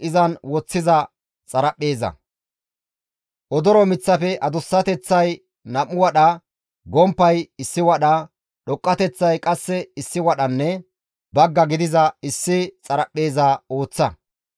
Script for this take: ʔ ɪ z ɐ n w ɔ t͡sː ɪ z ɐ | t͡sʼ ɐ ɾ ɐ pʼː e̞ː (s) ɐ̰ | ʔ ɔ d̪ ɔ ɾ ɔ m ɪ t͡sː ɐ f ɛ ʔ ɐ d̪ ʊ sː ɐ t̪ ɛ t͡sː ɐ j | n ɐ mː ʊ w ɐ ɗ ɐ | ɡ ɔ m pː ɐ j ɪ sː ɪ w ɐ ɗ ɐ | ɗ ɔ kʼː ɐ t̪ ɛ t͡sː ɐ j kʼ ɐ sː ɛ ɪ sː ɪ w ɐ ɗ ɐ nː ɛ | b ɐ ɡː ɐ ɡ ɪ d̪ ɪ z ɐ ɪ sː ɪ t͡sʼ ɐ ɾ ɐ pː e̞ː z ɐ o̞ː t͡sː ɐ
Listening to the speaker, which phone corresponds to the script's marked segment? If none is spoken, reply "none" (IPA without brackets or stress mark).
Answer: z